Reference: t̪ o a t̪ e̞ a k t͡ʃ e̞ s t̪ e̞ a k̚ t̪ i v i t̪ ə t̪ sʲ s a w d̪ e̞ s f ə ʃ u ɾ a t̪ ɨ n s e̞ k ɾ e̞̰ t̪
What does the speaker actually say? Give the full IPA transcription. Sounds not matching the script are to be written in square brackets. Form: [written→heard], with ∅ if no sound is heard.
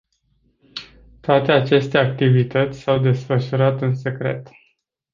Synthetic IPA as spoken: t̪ o a t̪ e̞ a [k→∅] t͡ʃ e̞ s t̪ e̞ a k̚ t̪ i v i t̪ ə t̪ sʲ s a w d̪ e̞ s f ə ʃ u ɾ a t̪ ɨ n s e̞ k ɾ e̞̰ t̪